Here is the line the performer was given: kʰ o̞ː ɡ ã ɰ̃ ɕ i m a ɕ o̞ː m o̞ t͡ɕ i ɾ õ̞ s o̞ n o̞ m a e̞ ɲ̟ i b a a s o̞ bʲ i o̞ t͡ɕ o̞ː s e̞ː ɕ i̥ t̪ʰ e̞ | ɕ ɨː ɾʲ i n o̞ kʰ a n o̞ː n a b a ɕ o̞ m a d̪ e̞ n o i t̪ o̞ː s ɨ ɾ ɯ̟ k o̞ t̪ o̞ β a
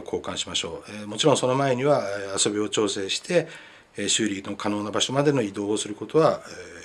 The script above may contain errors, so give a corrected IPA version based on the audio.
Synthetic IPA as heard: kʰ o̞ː k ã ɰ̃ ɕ i m a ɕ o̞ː m o̞ t͡ɕ i ɾ õ̞ s o̞ n o̞ m a e̞ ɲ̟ i β a a s o̞ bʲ i o̞ t͡ɕ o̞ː s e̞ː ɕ i̥ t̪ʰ e̞ | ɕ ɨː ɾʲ i n o̞ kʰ a n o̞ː n a b a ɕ o̞ m a d̪ e̞ n o i d̪ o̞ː s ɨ ɾ ɯ̟ k o̞ t̪ o̞ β a